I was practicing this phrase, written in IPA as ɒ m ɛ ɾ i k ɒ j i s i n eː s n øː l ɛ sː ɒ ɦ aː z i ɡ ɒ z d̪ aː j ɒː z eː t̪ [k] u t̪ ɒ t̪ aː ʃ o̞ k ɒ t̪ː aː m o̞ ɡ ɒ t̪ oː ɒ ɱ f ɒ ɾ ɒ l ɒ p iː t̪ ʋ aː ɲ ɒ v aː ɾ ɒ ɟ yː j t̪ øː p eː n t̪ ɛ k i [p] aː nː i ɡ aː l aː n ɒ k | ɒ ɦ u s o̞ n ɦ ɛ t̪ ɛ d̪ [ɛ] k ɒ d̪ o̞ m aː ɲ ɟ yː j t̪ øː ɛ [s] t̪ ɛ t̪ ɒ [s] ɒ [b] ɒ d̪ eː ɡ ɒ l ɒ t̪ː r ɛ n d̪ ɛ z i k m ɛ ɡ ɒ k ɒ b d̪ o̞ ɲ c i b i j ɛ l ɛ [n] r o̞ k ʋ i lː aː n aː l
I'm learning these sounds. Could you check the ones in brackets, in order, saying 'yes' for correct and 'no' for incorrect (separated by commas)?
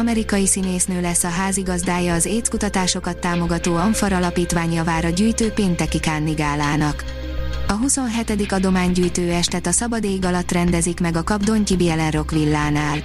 yes, no, no, no, yes, yes, yes